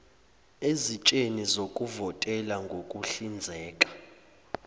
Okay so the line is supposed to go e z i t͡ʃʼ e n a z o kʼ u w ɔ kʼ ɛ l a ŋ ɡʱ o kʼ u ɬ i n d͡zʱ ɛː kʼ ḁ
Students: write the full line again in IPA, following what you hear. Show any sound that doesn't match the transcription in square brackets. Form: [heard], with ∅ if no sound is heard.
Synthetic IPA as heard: e z i t͡ʃʼ e n [i] z o kʼ u [v] ɔ [tʼ] ɛ l a ŋ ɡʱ o kʼ u ɬ i n d͡zʱ ɛː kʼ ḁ